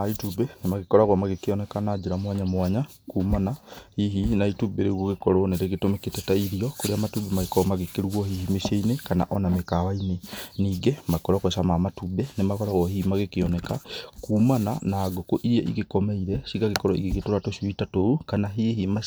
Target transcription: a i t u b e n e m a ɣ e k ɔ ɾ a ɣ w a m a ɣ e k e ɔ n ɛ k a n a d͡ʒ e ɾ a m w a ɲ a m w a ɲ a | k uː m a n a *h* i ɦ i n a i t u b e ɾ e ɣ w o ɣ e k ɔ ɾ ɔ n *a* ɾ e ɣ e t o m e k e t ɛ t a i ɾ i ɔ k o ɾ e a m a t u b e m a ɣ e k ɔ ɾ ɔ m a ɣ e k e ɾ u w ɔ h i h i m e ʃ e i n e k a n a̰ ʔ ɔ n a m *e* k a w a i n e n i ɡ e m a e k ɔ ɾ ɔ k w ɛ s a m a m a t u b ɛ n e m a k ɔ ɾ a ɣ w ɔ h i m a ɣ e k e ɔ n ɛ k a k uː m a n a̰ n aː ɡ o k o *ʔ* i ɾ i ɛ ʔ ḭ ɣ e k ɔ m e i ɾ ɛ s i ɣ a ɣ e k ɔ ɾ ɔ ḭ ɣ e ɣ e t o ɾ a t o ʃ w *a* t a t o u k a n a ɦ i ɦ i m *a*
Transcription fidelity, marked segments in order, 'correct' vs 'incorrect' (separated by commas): correct, incorrect, correct, correct, incorrect, correct